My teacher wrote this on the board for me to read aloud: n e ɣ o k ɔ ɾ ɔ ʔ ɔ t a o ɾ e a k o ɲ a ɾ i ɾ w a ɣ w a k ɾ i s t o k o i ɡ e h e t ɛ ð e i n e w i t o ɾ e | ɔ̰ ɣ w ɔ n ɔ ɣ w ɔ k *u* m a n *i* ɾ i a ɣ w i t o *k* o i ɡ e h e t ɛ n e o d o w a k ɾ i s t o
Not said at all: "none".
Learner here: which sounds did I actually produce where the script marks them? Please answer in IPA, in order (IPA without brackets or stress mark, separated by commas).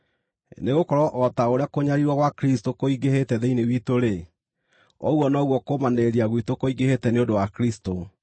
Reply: o, e, k